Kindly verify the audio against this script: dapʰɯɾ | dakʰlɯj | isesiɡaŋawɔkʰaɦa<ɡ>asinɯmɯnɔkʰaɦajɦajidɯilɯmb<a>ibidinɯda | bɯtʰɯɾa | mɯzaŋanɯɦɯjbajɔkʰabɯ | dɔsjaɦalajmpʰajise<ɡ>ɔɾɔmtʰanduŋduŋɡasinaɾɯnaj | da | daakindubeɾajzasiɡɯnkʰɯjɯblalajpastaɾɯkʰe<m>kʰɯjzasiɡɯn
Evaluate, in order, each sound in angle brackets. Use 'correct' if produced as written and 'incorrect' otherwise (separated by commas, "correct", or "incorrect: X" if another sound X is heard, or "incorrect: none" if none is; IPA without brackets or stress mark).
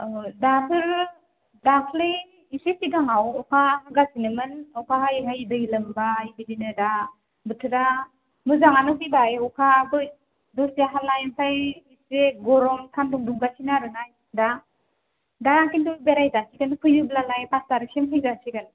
correct, correct, correct, correct